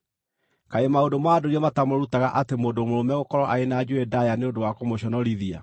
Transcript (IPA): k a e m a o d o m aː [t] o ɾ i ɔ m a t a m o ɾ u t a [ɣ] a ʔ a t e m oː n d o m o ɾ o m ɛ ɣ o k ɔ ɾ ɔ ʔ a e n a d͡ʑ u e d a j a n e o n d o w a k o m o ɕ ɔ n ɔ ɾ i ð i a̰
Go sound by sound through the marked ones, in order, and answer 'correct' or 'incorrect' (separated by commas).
incorrect, correct